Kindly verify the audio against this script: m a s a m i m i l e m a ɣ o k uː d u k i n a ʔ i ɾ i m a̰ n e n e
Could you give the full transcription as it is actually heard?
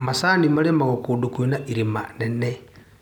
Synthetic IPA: m a s a n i m a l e m a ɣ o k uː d u k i n a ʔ i ɾ i m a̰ n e n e